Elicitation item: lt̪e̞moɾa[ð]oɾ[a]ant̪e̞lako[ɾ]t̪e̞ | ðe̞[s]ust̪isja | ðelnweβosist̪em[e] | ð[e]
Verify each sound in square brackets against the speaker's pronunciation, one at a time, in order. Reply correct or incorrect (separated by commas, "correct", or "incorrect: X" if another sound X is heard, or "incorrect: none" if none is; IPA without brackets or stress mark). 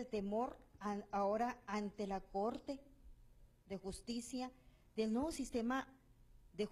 incorrect: none, correct, correct, incorrect: x, incorrect: a, correct